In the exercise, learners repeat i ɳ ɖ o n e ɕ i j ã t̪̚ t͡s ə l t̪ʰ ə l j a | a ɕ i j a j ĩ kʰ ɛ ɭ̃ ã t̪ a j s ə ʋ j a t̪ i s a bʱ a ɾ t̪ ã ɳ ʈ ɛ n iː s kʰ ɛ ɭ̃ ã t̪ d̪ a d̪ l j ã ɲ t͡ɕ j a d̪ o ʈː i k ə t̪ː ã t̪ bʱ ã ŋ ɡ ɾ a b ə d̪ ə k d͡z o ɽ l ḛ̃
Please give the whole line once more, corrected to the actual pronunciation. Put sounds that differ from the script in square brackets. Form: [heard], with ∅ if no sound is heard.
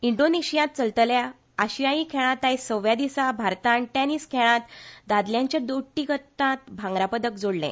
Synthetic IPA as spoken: i ɳ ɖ o n e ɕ i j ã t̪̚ t͡s ə l [t̪] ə l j a | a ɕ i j a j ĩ kʰ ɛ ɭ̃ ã t̪ a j s ə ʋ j a [d̪] i s a bʱ a ɾ t̪ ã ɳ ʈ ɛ n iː s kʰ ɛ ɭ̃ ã t̪ d̪ a d̪ l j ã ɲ t͡ɕ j a d̪ o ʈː i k ə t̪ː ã t̪ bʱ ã ŋ ɡ ɾ a [p] ə d̪ ə k d͡z o ɽ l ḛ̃